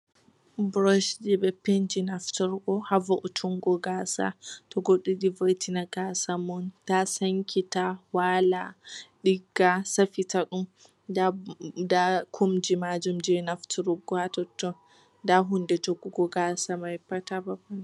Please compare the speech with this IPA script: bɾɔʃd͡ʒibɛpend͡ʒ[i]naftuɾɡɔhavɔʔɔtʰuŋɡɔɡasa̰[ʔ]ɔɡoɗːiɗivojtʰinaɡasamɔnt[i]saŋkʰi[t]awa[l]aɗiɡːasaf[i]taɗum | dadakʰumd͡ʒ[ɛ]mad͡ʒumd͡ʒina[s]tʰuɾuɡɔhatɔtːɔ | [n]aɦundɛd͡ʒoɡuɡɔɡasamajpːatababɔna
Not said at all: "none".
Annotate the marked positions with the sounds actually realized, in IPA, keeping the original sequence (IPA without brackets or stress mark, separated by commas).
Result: i, t, a, t, l, i, i, f, d